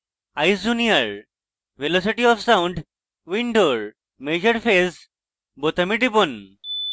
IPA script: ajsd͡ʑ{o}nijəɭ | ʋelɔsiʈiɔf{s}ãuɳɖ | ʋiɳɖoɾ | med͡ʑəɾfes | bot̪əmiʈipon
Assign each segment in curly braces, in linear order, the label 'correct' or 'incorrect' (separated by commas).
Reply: incorrect, correct